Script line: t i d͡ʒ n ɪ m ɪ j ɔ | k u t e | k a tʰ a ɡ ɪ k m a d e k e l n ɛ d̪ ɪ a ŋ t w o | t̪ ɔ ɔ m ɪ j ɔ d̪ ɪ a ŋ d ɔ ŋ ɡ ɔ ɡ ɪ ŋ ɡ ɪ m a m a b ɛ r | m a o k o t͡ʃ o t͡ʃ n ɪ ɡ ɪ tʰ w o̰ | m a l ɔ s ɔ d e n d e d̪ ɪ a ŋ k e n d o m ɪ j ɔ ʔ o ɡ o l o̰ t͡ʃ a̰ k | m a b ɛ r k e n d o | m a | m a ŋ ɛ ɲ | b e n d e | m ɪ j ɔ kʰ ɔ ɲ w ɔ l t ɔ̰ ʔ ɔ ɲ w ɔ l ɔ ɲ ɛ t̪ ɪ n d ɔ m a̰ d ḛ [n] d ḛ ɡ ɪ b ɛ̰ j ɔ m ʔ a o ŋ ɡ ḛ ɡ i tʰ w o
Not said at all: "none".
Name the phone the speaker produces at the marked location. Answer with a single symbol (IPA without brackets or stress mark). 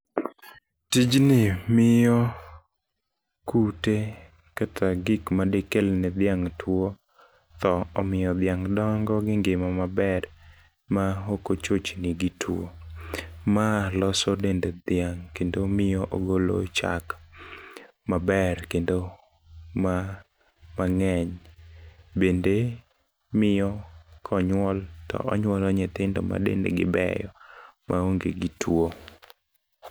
n